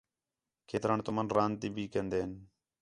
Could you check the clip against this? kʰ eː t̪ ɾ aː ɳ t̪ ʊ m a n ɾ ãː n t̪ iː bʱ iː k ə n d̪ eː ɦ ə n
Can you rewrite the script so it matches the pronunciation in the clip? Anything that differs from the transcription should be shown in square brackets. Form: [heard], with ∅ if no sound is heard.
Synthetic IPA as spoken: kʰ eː t̪ ɾ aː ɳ t̪ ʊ m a n ɾ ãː n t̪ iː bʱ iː k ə n d̪ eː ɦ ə n